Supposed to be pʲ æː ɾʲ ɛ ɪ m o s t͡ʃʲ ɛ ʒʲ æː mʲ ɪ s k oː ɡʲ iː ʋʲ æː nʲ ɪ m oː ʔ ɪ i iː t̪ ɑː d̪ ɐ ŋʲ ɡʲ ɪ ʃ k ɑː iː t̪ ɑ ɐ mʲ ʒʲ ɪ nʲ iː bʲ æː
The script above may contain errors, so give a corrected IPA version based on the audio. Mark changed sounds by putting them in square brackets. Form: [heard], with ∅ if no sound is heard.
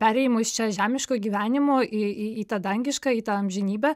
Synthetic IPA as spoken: pʲ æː ɾʲ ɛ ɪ m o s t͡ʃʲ ɛ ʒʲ æː mʲ ɪ [ʃ] k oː ɡʲ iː ʋʲ æː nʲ ɪ m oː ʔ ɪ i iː t̪ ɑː d̪ ɐ ŋʲ ɡʲ ɪ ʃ k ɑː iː t̪ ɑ ɐ mʲ ʒʲ ɪ nʲ iː bʲ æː